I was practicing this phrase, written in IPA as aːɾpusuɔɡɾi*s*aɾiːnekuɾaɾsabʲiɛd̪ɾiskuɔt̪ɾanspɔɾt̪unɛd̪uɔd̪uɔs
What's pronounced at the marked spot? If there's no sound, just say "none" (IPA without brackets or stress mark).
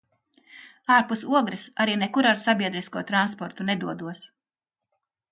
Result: s